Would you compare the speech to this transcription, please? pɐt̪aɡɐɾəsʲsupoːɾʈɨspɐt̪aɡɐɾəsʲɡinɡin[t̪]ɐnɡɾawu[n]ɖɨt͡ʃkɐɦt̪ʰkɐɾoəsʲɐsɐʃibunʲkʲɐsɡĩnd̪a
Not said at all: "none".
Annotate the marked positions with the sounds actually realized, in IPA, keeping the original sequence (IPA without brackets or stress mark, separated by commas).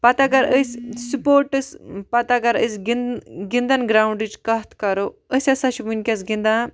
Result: d̪, ɳ